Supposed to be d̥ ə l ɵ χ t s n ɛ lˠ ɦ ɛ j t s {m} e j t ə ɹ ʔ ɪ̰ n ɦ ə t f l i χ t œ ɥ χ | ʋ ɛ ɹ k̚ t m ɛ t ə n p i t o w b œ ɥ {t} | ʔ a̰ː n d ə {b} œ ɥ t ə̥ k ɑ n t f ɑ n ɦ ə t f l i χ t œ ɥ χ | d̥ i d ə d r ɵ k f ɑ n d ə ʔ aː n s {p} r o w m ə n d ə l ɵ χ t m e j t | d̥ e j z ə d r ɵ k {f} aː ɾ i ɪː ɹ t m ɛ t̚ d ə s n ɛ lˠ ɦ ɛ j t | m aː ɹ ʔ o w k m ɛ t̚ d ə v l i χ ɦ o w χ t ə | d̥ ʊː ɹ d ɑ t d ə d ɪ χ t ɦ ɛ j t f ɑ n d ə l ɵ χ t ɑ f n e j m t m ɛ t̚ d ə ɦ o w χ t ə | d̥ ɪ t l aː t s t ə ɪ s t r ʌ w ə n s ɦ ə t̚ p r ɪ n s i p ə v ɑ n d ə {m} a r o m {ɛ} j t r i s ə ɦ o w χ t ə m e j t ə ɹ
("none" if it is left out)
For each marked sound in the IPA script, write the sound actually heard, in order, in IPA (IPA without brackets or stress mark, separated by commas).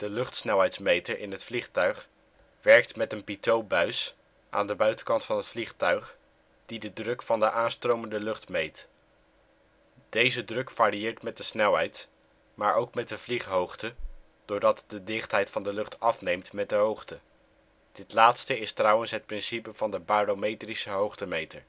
m, s, b, t, f, b, e